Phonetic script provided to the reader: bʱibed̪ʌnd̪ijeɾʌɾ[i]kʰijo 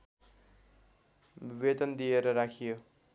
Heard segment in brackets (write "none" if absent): a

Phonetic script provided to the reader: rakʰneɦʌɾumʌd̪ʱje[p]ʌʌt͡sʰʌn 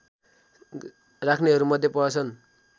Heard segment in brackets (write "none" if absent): p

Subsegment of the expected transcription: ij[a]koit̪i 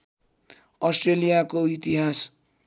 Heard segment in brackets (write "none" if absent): a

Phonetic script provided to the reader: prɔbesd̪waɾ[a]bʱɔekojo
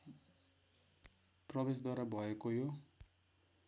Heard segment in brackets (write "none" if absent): a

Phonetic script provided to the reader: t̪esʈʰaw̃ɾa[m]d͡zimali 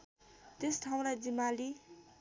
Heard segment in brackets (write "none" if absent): none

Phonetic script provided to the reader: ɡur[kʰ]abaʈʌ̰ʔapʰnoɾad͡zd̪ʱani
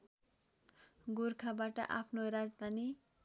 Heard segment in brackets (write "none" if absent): kʰ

